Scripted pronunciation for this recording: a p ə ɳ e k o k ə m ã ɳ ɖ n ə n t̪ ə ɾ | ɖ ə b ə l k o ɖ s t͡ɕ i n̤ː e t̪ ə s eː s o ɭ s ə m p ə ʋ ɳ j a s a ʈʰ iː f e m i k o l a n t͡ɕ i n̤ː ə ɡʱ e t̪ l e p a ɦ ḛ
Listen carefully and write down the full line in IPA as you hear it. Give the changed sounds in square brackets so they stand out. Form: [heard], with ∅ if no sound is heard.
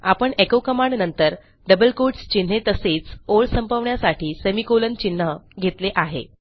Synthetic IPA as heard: a p ə ɳ e k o k ə m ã ɳ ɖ n ə n t̪ ə ɾ | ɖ ə b ə l k o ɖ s t͡ɕ i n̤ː e t̪ ə s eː [t͡s] o ɭ s ə m p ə ʋ ɳ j a s a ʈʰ iː [s] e m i k o l [ə] n t͡ɕ i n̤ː ə ɡʱ e t̪ l e [ʔ] a ɦ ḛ

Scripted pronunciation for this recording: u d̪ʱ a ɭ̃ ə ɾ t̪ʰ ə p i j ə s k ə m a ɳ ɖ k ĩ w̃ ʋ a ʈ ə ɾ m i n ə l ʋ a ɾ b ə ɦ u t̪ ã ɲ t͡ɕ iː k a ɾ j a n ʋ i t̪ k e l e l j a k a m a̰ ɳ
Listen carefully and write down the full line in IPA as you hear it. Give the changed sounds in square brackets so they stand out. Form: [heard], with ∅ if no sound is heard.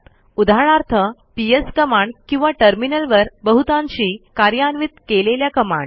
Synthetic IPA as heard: u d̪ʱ a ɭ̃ [a] ɾ t̪ʰ ə p i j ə s k ə m a ɳ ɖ k ĩ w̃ ʋ a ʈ ə ɾ m i n ə l ʋ [ə] ɾ b ə ɦ u t̪ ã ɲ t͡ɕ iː k a ɾ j a n ʋ i t̪ k e l e l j a k [ə] m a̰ ɳ

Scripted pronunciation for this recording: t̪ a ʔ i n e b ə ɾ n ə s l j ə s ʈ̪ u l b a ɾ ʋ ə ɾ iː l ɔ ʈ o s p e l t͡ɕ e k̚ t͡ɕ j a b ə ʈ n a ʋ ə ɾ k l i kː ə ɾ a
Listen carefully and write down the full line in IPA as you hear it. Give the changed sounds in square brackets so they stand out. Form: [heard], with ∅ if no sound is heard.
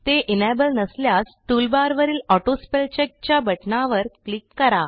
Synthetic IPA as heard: t̪ [e] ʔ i n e b ə [l] n ə s l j [a] s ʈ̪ u l b a ɾ ʋ ə ɾ iː l ɔ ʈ o s p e l t͡ɕ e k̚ t͡ɕ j a b ə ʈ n a ʋ ə ɾ k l i kː ə ɾ a

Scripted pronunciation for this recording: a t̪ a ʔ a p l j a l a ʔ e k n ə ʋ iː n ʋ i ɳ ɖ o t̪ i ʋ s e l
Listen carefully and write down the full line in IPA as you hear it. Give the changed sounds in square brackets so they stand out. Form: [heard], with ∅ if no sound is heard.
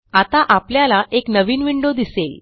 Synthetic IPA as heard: a t̪ a ʔ a p l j a l a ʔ e k n ə ʋ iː n ʋ i ɳ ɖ o [d̪] i [∅] s e l

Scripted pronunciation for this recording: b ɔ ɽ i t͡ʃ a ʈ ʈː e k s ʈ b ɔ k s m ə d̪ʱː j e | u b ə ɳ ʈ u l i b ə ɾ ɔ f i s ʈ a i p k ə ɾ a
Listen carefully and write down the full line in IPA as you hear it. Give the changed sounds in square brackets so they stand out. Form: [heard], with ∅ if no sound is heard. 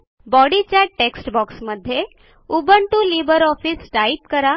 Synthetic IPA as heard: b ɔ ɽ i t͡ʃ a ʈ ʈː e k s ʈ b ɔ k s m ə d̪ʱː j e | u b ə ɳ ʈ u l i b ə ɾ ɔ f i s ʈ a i p k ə ɾ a

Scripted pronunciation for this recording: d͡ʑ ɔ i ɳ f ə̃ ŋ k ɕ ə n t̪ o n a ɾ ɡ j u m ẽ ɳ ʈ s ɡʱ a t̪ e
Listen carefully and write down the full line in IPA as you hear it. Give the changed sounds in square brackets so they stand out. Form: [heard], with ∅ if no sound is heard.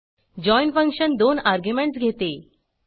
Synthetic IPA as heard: d͡ʑ ɔ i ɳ f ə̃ ŋ k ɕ ə n [d̪] o n a ɾ ɡ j u m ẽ ɳ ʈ s ɡʱ [e] t̪ e

